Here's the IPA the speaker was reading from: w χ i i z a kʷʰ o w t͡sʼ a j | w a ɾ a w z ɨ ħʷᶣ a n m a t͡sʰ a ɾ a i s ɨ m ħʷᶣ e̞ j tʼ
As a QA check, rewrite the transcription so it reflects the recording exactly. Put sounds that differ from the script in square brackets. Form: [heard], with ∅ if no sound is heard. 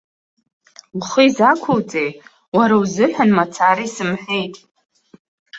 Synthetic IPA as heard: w χ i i z a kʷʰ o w t͡sʼ [e] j | w a ɾ a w z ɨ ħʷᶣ a n m a t͡sʰ a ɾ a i s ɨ m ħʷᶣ e̞ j tʼ